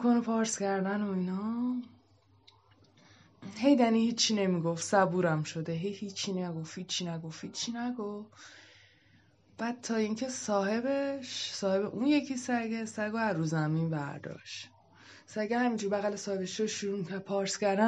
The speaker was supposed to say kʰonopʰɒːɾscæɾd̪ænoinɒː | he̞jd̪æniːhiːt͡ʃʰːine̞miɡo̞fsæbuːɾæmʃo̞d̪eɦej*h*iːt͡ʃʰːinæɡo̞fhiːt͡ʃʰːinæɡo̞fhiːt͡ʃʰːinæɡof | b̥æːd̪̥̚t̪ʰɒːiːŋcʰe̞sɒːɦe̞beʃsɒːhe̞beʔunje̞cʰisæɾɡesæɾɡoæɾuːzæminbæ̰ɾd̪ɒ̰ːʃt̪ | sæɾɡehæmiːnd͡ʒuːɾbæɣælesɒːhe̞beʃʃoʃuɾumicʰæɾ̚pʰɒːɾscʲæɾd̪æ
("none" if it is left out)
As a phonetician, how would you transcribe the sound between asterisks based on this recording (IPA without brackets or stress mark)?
h